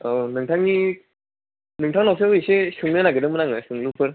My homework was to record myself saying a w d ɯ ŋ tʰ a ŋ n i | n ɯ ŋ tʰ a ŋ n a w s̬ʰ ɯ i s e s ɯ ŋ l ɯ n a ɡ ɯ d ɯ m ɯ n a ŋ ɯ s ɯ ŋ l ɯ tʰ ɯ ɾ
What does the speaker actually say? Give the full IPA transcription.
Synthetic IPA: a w n ɯ ŋ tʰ a ŋ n i | n ɯ ŋ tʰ a ŋ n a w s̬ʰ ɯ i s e s ɯ ŋ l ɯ n a ɡ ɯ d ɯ m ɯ n a ŋ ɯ s ɯ ŋ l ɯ pʰ ɯ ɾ

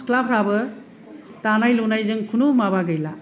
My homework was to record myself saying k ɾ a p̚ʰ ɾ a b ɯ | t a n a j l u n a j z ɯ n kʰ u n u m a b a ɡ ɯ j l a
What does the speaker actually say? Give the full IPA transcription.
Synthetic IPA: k l a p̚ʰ ɾ a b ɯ | t a n a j l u n a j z ɯ ŋ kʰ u n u m a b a ɡ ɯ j l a

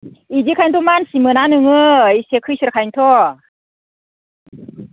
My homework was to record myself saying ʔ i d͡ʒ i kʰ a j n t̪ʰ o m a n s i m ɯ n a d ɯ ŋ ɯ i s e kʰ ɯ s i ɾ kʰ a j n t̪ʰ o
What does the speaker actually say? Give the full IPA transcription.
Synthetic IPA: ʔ i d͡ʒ i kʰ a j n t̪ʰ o m a n s i m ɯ n a n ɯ ŋ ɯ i s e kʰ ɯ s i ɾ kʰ a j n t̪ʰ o

